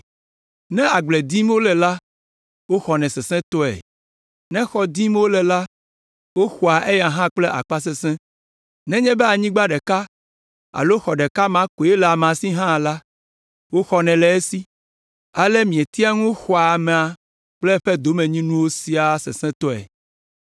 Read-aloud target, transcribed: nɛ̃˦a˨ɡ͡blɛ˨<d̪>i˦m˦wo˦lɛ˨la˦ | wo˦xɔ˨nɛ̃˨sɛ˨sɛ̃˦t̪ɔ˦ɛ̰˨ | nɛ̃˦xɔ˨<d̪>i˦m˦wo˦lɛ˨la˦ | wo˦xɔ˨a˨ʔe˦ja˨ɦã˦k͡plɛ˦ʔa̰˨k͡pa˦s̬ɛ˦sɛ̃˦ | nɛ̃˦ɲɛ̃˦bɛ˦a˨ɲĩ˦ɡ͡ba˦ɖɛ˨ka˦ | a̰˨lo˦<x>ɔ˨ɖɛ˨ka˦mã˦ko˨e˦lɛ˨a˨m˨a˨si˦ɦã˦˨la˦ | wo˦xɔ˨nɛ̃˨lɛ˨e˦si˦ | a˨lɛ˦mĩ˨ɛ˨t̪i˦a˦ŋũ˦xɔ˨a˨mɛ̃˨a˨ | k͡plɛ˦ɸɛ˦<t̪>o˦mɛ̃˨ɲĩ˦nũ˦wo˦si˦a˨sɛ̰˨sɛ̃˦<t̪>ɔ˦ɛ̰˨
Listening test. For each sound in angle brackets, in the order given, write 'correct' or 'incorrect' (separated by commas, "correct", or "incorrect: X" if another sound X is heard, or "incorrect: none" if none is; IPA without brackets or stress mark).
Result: correct, correct, correct, incorrect: d̪, correct